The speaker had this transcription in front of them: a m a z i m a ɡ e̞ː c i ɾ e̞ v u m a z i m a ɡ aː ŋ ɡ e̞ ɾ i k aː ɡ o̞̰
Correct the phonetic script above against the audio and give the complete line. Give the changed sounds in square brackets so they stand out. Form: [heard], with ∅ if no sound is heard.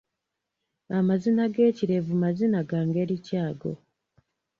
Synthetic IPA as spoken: a m a z i [n] a ɡ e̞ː c i ɾ e̞ v u m a z i [n] a ɡ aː ŋ ɡ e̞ ɾ i [c] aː ɡ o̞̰

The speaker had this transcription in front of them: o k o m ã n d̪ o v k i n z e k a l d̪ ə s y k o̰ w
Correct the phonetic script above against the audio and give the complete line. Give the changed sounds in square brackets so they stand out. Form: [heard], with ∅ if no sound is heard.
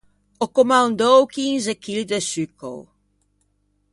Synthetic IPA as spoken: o k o m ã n d̪ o [w] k i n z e k [i] l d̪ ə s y k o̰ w

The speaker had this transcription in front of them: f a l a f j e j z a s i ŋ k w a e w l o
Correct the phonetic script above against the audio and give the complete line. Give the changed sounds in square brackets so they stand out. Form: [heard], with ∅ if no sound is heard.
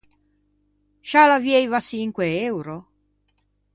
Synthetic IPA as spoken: [ʃ] a l a [v] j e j [v] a s i ŋ k w [e] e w [ɾ] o

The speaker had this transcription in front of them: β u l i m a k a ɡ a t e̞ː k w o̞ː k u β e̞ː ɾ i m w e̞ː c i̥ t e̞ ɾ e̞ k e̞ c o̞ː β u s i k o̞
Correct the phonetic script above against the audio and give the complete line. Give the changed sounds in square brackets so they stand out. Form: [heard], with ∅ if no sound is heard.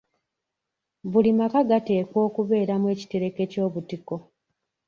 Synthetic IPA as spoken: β u l i m a k a ɡ a t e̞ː k w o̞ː k u β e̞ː ɾ [a] m w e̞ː c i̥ t e̞ ɾ e̞ k e̞ c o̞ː β u [t] i k o̞

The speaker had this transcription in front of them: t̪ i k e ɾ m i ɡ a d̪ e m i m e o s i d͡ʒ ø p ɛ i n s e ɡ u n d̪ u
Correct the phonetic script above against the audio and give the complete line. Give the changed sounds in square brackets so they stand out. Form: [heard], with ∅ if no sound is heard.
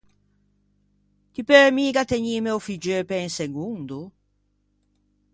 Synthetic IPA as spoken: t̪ i [p] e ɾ m i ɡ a [t̪] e [ɲ] i m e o [f] i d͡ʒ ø p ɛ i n s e ɡ u n d̪ u

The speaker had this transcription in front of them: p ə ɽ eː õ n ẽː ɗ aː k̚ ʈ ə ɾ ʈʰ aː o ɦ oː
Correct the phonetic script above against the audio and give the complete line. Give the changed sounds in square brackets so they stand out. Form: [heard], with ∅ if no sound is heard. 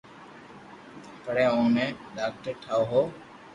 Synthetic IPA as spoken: p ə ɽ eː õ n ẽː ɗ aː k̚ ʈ ə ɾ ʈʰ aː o ɦ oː

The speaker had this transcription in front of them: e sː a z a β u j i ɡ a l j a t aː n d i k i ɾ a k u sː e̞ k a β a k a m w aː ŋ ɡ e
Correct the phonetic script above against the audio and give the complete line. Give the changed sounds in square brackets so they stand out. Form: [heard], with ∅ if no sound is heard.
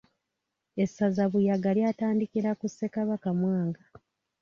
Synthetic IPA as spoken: e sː a z a β u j [a] ɡ a l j a t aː n d i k i ɾ a k u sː e̞ k a β a k a m w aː ŋ ɡ [a]

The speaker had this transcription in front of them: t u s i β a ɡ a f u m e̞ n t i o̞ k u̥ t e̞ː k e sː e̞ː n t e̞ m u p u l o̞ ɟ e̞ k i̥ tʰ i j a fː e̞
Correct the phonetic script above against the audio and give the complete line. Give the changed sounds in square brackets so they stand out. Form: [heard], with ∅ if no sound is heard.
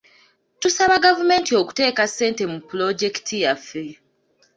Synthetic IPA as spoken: t u s [a] β a ɡ a [v] u m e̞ n t i o̞ k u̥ t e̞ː k [a] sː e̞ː n t e̞ m u p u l o̞ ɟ e̞ k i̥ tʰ i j a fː e̞

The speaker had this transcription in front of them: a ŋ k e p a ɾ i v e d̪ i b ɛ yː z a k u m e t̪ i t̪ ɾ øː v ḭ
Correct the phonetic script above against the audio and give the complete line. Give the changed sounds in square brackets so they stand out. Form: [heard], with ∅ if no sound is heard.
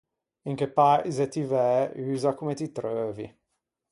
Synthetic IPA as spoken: [i] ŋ k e p a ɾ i [z] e [t̪] i [v] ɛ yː z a k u m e t̪ i t̪ ɾ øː v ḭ

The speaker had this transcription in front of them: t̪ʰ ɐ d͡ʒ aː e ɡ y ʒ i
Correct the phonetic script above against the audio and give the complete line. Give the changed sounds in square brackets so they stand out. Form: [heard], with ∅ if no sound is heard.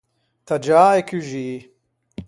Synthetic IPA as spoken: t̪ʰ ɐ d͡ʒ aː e [k] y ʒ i

